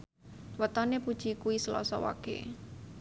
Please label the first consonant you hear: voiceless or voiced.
voiced